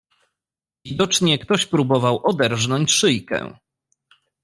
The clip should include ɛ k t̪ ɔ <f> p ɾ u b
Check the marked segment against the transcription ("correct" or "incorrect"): incorrect